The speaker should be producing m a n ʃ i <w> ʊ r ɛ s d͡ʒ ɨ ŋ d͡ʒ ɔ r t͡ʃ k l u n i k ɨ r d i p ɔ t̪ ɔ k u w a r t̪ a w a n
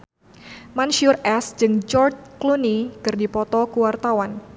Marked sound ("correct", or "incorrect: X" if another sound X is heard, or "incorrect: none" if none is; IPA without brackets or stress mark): incorrect: none